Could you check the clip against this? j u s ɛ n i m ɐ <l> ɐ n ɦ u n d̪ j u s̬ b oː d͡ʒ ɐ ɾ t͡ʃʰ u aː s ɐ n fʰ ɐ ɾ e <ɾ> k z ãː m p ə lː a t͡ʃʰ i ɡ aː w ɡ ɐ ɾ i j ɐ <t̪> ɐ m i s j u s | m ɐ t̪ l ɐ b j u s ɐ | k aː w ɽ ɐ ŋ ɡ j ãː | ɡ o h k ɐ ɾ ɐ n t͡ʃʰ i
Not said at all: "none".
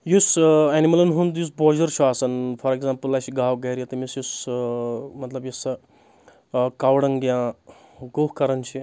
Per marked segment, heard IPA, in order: l, none, t̪

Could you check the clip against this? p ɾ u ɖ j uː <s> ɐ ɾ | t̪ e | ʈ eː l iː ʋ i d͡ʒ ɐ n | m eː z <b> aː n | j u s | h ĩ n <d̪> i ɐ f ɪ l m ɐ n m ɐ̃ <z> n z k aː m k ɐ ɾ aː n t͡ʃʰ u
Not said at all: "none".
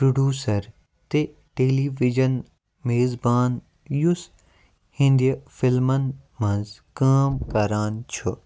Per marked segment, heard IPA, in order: s, b, d̪, none

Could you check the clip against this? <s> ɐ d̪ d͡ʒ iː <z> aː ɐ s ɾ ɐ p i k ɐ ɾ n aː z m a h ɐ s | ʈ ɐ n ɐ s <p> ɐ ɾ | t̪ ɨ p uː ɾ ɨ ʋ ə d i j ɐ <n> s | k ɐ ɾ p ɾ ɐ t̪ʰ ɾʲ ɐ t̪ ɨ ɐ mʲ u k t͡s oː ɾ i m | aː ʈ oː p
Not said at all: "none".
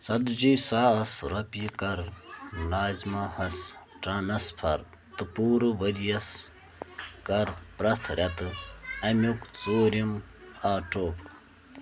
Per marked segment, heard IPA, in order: s, s, pʰ, none

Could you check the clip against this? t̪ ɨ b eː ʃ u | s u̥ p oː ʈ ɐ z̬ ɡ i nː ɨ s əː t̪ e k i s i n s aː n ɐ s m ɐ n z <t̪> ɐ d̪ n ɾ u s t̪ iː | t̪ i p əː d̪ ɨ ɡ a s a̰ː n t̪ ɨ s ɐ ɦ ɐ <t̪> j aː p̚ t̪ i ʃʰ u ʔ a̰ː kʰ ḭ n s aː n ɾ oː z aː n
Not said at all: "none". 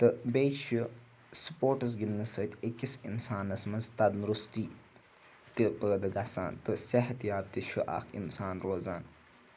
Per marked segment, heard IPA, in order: t̪, t̪

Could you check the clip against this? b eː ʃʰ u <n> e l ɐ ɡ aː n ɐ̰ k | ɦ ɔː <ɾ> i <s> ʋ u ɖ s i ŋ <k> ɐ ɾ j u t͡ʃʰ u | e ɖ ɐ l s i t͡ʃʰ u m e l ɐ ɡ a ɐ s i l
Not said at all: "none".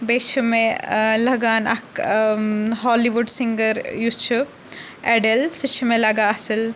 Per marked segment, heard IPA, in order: m, l, none, ɡ

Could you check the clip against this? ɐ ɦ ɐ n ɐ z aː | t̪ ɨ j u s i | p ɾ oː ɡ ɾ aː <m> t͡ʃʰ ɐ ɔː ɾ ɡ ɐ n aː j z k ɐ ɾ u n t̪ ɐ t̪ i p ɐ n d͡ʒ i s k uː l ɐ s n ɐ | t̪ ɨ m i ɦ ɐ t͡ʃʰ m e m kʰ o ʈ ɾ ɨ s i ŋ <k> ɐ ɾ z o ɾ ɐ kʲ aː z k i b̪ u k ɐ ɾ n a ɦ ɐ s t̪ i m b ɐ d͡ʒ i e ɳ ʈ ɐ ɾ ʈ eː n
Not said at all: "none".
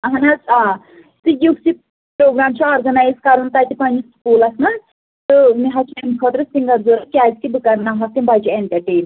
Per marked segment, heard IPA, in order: m, ɡ

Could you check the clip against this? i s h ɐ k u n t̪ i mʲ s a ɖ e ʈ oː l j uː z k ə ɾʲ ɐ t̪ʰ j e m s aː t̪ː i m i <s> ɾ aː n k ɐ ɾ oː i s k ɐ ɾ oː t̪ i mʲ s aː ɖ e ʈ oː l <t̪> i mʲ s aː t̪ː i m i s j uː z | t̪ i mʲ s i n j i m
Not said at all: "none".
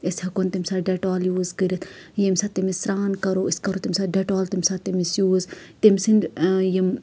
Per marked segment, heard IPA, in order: s, t̪

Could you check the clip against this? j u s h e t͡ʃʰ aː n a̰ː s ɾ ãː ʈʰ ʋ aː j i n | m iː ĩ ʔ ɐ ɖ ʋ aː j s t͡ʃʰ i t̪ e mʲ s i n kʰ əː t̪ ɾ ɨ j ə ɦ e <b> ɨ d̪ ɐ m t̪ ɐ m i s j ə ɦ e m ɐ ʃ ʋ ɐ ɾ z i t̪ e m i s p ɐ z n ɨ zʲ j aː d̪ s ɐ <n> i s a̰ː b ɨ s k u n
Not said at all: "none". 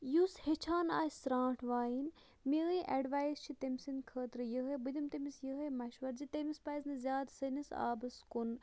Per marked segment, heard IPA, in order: b, n

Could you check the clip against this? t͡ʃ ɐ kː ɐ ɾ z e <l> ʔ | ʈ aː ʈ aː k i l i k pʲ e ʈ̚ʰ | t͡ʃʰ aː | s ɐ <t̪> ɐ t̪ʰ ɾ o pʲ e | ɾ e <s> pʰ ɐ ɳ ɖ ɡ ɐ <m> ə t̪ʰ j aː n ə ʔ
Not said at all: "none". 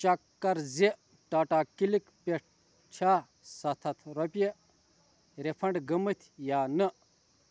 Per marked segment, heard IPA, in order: none, t̪ʰ, none, m

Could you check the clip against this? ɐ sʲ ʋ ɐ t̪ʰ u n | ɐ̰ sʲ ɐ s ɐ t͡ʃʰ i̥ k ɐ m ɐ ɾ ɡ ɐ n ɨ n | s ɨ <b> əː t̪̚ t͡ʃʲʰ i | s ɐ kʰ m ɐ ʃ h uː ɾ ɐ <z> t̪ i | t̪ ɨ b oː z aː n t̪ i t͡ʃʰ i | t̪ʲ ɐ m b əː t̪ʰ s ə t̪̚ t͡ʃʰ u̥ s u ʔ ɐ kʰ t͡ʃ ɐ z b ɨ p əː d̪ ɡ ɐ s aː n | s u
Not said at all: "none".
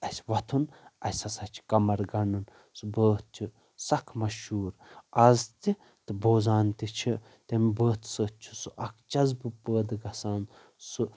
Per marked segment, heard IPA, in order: b, z

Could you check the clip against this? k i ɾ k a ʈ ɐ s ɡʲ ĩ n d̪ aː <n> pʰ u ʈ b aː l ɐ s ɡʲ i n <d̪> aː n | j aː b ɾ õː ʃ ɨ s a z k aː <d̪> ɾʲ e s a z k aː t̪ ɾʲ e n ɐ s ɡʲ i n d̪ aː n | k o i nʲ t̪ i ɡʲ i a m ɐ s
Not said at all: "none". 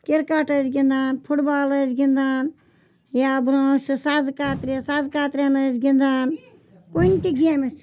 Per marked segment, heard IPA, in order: n, d̪, t̪

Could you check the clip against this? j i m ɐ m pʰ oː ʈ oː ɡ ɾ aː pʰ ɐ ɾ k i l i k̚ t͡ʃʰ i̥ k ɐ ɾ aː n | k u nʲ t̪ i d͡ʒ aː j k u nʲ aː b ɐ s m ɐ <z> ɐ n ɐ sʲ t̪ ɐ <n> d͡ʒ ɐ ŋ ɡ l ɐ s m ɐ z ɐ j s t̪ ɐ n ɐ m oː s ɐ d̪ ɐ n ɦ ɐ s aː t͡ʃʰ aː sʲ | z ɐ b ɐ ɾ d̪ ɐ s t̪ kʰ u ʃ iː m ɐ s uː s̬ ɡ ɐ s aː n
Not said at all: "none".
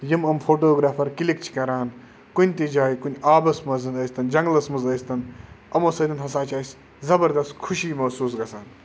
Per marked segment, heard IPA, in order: z, n

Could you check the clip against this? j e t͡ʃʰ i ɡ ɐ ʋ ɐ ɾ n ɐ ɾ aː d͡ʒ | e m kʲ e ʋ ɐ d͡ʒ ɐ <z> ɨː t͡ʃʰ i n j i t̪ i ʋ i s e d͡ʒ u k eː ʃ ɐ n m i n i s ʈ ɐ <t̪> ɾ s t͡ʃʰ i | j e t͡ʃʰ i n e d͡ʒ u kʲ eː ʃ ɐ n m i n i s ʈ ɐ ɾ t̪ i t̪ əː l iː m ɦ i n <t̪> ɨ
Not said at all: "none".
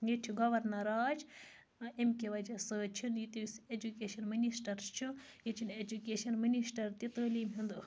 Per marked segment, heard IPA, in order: s, none, d̪

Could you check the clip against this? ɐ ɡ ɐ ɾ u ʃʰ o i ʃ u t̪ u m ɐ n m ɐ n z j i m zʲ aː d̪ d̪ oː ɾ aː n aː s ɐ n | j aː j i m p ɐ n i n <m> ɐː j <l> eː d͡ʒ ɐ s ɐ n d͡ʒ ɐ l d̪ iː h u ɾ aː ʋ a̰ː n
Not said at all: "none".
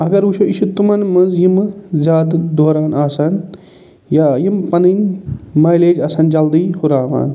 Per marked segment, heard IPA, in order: m, l

